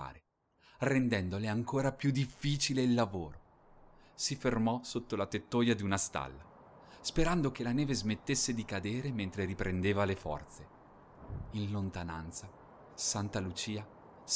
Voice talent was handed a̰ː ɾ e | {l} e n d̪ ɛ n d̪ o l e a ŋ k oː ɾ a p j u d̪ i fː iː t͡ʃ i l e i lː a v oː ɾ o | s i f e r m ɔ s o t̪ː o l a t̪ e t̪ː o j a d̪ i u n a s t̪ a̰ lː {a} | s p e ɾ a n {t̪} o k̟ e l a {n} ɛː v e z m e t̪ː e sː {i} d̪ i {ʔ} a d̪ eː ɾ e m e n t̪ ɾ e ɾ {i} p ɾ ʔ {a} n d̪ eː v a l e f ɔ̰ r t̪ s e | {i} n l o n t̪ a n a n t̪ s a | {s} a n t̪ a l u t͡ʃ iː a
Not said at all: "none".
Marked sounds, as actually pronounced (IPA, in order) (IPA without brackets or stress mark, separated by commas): r, a, d̪, n, e, k, i, e, i, s